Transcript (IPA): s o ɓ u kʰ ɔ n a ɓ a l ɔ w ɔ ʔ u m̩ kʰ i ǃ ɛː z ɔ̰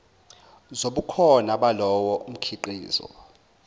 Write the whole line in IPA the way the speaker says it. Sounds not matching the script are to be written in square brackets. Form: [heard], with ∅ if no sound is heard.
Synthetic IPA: [z] o ɓ u kʰ ɔ n a ɓ a l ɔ w ɔ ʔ u m̩ kʰ i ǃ [iː] z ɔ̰